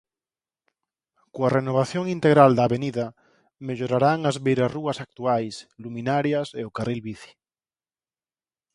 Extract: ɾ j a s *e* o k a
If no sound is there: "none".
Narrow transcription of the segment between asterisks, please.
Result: e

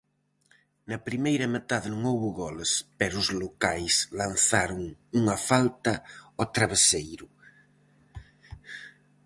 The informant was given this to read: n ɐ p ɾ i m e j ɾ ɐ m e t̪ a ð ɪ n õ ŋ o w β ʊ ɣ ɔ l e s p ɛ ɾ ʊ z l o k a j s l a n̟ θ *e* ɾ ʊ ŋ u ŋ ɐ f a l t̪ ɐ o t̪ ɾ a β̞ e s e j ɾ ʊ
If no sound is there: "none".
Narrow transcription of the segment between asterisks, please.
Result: a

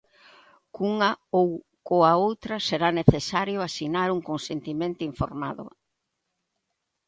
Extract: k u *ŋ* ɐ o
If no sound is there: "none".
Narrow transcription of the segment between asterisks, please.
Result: ŋ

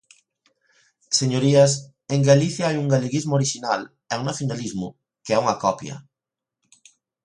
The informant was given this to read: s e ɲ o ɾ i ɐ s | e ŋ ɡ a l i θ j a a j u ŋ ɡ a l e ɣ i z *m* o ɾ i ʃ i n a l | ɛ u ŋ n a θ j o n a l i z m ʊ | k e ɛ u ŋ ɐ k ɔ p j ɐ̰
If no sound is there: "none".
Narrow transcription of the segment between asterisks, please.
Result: m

